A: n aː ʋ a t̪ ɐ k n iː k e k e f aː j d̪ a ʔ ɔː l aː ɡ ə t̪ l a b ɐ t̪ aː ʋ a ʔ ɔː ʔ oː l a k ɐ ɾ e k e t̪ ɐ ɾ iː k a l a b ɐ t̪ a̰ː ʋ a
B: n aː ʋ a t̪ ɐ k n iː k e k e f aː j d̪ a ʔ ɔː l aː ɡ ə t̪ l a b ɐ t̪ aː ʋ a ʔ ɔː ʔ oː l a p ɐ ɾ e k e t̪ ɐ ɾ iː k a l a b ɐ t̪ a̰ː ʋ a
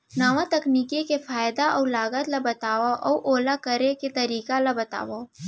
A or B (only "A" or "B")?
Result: A